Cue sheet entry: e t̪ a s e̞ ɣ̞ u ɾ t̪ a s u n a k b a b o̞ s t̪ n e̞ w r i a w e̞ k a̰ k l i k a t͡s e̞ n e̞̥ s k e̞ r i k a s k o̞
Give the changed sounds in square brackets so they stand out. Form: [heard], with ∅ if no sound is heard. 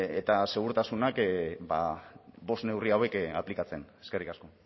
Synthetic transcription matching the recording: e t̪ a s e̞ ɣ̞ u ɾ t̪ a s u n a k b a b o̞ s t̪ n e̞ w r i a w e̞ k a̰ [p] l i k a t͡s e̞ n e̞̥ s k e̞ r i k a s k o̞